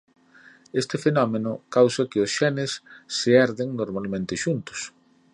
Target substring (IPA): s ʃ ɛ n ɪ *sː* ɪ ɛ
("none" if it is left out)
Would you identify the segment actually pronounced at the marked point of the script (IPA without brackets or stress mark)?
sː